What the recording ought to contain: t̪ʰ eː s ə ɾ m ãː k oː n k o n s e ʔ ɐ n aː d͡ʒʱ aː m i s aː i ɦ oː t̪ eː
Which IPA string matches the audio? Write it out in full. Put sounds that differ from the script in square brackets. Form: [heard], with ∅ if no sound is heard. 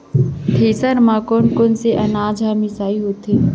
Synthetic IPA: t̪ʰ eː s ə ɾ m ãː k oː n k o n s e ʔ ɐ n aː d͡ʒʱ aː m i s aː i ɦ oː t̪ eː